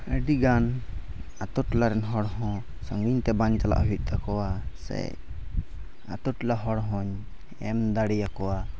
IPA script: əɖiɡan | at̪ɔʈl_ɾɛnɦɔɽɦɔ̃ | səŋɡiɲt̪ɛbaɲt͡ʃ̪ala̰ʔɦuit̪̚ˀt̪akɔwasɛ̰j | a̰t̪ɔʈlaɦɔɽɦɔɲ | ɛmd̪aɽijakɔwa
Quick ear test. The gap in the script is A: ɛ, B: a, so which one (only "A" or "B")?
B